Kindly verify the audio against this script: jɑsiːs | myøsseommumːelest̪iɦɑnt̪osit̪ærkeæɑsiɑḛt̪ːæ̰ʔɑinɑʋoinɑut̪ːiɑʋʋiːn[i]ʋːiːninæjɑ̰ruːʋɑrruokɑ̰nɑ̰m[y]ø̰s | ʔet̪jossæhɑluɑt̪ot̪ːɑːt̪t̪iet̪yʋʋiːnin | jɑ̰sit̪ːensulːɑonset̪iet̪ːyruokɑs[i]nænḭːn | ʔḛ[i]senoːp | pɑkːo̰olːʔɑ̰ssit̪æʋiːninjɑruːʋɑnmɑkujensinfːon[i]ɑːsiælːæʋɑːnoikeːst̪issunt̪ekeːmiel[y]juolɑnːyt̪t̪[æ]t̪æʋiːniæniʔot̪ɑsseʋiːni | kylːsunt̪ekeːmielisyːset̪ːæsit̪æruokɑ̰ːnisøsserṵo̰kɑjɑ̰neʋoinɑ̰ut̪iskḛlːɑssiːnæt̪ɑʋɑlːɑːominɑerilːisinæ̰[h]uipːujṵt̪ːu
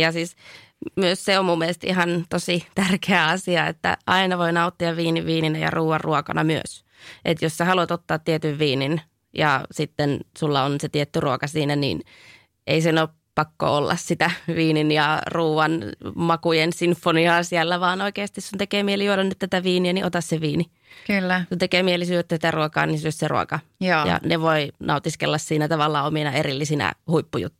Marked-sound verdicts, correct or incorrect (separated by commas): correct, correct, incorrect, correct, correct, incorrect, correct, correct